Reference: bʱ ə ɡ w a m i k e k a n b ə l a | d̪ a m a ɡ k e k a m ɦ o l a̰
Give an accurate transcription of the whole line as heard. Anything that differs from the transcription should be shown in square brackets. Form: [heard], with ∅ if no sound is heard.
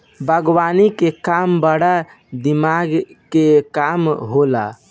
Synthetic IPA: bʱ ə ɡ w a [n] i k e k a [m] b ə [ɽ] a | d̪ [i] m a ɡ k e k a m ɦ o l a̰